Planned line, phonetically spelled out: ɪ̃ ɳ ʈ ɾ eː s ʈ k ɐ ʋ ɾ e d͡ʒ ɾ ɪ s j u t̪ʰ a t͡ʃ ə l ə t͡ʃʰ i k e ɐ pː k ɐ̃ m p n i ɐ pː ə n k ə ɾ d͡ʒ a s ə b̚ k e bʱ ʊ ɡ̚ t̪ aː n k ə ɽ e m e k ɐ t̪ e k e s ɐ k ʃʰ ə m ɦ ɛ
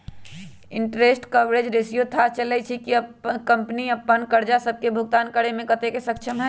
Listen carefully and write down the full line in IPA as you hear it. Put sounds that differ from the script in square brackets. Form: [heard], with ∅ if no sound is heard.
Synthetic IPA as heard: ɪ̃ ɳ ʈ ɾ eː s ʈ k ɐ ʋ ɾ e d͡ʒ ɾ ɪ s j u t̪ʰ a t͡ʃ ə l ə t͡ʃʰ i k [i] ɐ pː k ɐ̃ m p n i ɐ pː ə n k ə ɾ d͡ʒ a s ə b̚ k e bʱ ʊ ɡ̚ t̪ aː n k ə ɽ e m [ẽ] k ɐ t̪ e k e s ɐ k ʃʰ ə m ɦ ɛ